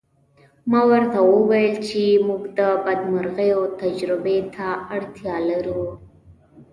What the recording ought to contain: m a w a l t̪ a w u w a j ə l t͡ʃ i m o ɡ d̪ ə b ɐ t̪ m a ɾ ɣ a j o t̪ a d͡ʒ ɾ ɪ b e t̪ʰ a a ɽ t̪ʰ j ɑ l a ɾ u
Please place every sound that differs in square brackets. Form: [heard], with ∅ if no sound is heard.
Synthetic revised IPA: m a w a [ɾ] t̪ a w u w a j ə l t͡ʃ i m [u] ɡ d̪ ə b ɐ [d̪] m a ɾ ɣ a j o t̪ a d͡ʒ ɾ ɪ b e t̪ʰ a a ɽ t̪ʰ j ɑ l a ɾ u

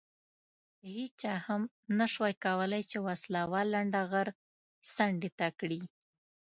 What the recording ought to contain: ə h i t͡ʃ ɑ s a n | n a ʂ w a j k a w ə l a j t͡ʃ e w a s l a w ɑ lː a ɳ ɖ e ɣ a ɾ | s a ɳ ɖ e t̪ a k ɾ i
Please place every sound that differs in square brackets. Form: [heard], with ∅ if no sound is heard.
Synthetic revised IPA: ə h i t͡ʃ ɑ [h] a [m] | n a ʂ w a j k a w ə l a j t͡ʃ e w a s l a w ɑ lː a ɳ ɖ [a] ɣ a ɾ | s a ɳ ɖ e t̪ a k [ɽ] i

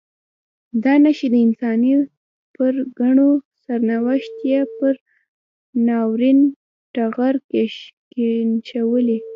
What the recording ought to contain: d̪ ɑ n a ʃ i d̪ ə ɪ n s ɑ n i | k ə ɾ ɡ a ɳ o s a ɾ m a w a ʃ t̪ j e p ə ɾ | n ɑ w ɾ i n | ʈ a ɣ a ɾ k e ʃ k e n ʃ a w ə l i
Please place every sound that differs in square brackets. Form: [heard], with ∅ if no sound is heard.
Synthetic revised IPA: d̪ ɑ n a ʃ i d̪ ə ɪ n s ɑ n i | [p] ə ɾ ɡ a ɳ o s a ɾ [n] a w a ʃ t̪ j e p ə ɾ | n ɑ w ɾ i n | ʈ a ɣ a ɾ k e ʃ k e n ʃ a w ə l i

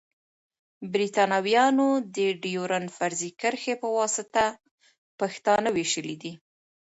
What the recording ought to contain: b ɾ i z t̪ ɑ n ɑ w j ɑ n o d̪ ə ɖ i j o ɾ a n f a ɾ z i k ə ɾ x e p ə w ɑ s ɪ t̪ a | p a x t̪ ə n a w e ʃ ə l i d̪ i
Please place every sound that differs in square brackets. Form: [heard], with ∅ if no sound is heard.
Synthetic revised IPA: b ɾ i [∅] t̪ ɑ n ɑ w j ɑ n o d̪ ə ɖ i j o ɾ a n f a ɾ z i k ə ɾ x e p ə w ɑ s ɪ t̪ a | p a x t̪ [ɑ] n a w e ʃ ə l i d̪ i

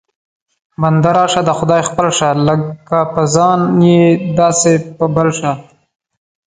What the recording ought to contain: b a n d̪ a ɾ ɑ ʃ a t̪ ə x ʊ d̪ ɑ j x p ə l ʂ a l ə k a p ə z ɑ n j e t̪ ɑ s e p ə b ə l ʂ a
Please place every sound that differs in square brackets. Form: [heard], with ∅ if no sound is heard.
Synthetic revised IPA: b a n d̪ a ɾ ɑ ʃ a [d̪] ə x ʊ d̪ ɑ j x p ə l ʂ a l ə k a p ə z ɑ n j e [d̪] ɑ s e p ə b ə l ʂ a

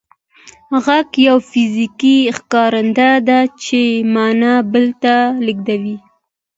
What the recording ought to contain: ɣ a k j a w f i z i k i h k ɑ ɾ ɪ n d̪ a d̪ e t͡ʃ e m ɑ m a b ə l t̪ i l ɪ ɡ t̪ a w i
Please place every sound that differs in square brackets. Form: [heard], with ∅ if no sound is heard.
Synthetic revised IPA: ɣ a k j a w f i z i k i [x] k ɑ ɾ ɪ n d̪ a d̪ [a] t͡ʃ e m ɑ [n] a b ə l t̪ [a] l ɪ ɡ [d̪] a w i

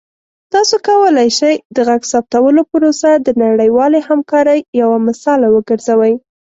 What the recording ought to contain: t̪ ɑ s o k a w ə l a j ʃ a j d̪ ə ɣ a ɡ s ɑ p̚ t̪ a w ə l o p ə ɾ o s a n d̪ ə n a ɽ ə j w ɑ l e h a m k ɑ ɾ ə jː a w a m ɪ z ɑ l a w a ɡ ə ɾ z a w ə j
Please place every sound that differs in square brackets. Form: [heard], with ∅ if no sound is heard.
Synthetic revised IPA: t̪ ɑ s o k a w ə l a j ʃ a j d̪ ə ɣ a ɡ s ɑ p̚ t̪ a w ə l o p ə ɾ o s a [∅] d̪ ə n a ɽ ə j w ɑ l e h a m k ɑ ɾ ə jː a w a m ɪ [s] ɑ l a w [ə] ɡ ə ɾ z a w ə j

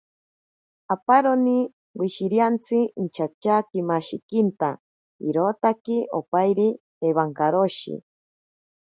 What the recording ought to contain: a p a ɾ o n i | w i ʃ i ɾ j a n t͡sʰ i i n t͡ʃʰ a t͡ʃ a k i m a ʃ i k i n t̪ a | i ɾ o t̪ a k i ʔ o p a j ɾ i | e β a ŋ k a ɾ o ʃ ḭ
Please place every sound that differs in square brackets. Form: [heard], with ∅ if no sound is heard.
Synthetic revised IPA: a p a ɾ o n i | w i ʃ i ɾ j a n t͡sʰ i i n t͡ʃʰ a t͡ʃ a k i m a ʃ i k i n t̪ a | i ɾ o t̪ a k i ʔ o p a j ɾ i | e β a ŋ k a ɾ o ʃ ḭ

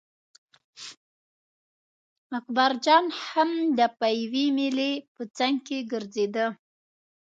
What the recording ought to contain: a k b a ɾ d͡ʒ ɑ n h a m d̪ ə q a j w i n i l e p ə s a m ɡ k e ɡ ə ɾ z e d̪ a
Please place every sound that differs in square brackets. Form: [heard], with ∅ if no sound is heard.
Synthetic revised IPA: a k b a ɾ d͡ʒ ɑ n h a m d̪ ə [p] a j w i [m] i l e p ə [t͡s] a [ŋ] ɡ k e ɡ ə ɾ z e d̪ [ə]

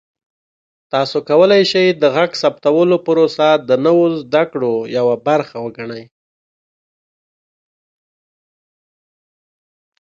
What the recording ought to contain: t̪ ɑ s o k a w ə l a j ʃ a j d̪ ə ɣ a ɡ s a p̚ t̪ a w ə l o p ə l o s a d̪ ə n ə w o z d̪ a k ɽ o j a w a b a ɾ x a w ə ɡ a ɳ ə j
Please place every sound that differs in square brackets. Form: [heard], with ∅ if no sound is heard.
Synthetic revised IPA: t̪ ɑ s o k a w ə l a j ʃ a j d̪ ə ɣ a ɡ s a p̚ t̪ a w ə l o p ə [ɾ] o s a d̪ ə n ə w o z d̪ a k ɽ o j a w a b a ɾ x a w ə ɡ a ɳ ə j

